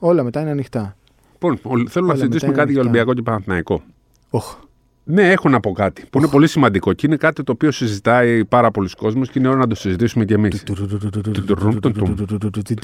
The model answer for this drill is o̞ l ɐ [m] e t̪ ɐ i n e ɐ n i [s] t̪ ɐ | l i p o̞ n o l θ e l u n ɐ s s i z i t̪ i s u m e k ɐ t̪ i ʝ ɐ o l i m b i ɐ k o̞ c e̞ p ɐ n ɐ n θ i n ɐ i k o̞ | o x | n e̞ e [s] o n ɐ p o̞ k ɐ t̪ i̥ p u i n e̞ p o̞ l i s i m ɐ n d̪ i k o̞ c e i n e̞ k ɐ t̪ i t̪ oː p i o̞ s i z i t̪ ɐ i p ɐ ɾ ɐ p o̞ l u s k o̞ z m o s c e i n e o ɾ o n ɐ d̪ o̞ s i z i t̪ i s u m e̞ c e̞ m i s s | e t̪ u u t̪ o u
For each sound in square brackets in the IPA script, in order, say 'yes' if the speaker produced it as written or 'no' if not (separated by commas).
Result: yes, no, no